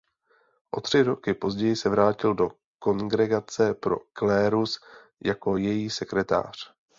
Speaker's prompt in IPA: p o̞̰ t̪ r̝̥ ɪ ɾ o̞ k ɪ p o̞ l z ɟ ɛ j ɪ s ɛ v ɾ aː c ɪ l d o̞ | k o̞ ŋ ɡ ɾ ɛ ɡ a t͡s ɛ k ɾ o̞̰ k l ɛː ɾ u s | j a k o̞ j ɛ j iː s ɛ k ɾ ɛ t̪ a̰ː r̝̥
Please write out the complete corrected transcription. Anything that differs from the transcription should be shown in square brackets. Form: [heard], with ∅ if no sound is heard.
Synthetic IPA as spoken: [ʔ] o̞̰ t̪ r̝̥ ɪ ɾ o̞ k ɪ p o̞ [∅] z ɟ ɛ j ɪ s ɛ v ɾ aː c ɪ l d o̞ | k o̞ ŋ ɡ ɾ ɛ ɡ a t͡s ɛ [p] ɾ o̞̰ k l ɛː ɾ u s | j a k o̞ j ɛ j iː s ɛ k ɾ ɛ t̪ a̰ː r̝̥